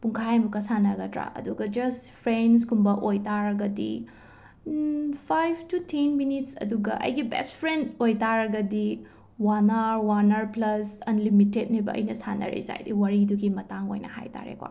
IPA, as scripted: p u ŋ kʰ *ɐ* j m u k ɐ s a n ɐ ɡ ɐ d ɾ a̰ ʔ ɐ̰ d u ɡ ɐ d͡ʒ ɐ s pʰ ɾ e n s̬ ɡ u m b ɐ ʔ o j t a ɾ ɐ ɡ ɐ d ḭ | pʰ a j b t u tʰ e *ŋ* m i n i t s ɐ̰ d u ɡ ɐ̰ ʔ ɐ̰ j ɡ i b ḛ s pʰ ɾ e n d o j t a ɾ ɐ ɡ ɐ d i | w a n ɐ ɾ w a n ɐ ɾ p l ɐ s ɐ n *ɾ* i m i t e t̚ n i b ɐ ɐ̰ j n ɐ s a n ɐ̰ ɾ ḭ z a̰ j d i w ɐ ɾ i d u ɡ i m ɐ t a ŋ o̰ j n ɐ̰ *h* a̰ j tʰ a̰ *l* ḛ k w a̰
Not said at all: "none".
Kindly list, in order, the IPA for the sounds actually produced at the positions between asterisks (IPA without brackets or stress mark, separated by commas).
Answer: a, n, l, h, ɾ